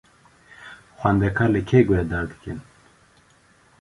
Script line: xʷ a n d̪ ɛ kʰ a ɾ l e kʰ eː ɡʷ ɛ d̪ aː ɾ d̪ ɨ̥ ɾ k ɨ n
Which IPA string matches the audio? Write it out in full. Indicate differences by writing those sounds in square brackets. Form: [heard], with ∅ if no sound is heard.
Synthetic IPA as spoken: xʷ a n d̪ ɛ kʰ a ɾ l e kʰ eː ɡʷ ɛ d̪ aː ɾ d̪ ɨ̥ [∅] k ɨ n

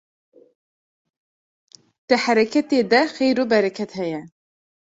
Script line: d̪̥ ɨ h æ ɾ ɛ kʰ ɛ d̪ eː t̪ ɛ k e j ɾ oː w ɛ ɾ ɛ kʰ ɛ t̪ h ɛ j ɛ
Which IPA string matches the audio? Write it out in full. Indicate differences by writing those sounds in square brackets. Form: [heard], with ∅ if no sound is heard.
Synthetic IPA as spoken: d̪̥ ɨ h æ ɾ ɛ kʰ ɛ [t̪] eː [d̪] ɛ [x] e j ɾ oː [b] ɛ ɾ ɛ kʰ ɛ t̪ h ɛ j ɛ

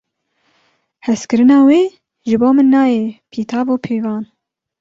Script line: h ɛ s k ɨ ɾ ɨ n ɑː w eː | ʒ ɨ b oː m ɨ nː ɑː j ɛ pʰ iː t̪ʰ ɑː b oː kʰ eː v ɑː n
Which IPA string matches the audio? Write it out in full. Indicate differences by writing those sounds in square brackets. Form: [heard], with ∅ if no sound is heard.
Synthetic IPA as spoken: h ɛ s k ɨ ɾ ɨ n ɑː w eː | ʒ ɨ b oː m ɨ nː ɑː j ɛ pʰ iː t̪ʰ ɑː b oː [pʰ] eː v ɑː n

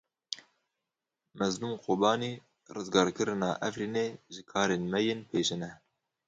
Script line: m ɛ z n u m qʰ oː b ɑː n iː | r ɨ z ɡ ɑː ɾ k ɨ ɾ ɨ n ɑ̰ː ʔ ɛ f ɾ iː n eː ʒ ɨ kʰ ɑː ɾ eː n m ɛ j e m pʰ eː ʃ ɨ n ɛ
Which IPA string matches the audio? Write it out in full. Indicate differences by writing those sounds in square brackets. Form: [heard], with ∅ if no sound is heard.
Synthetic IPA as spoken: m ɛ z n u m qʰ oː b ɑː n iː | r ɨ z ɡ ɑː ɾ k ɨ ɾ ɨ n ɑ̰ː ʔ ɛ f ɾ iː n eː ʒ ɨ kʰ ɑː ɾ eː n m ɛ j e [n] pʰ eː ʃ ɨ n ɛ

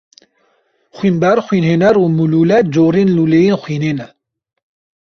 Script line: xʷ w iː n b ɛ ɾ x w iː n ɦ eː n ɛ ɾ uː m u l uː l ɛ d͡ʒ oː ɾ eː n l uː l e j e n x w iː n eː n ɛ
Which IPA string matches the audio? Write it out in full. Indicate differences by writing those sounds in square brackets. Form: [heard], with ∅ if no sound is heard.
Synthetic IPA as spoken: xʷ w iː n b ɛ ɾ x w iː n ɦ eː n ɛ ɾ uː m u l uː l ɛ d͡ʒ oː ɾ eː n l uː l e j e n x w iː n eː n ɛ

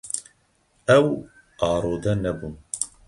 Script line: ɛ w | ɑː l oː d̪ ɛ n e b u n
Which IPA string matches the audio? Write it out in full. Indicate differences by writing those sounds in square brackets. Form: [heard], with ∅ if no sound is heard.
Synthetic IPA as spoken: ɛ w | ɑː [ɾ] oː d̪ ɛ n [ɛ] b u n

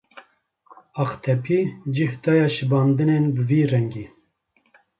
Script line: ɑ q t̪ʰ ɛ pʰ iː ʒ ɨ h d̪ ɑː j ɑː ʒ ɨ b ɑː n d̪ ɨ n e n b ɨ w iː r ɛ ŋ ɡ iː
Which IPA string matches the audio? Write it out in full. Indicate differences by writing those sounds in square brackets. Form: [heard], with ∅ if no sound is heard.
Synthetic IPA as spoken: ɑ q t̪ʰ ɛ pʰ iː [d͡ʒ] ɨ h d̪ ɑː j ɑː [ʃ] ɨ b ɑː n d̪ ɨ n e n b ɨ [v] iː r ɛ ŋ ɡ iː

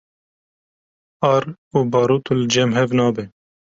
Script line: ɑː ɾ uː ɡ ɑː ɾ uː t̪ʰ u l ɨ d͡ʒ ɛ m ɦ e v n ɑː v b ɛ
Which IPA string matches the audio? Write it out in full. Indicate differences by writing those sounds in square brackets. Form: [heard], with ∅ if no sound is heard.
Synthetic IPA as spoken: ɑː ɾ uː [b] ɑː ɾ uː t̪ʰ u l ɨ d͡ʒ ɛ m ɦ [ɛ] v n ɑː [∅] b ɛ

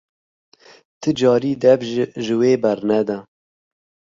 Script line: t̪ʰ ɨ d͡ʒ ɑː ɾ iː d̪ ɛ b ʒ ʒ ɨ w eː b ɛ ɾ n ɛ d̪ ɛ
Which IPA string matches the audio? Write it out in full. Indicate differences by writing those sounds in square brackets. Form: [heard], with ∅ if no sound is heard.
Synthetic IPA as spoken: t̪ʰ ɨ d͡ʒ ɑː ɾ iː d̪ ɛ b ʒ ʒ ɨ w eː b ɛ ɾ n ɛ d̪ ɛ

